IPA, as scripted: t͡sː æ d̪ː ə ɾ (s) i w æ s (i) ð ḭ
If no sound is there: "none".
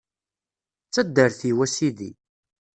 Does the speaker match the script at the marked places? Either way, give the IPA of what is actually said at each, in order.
θ, i

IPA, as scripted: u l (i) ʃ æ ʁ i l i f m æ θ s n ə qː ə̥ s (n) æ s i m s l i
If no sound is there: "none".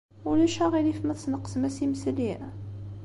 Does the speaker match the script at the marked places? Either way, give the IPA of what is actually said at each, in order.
æ, m

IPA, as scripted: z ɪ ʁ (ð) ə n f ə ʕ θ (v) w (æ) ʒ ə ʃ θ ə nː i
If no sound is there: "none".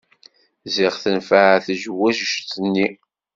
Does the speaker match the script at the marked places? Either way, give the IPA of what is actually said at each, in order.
θ, ʒ, æ

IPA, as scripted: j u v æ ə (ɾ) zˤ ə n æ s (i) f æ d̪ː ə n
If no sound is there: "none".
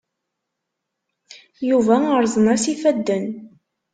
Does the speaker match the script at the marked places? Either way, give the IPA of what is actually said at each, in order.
ɾ, i

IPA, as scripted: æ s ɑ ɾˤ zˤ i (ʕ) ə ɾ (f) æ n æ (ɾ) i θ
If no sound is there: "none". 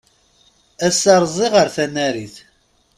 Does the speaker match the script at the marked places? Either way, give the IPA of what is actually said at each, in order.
ʁ, θ, ɾ

